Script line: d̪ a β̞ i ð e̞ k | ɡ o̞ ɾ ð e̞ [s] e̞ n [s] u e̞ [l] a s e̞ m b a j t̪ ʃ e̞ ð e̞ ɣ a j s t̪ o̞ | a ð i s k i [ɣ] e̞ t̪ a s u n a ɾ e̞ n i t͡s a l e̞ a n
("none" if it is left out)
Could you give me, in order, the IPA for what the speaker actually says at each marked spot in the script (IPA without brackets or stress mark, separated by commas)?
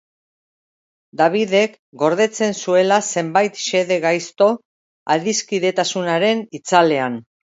t͡s, s, l, ð